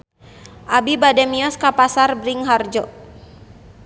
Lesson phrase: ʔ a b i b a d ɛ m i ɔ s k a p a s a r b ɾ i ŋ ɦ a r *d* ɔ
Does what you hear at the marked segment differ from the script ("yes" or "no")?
yes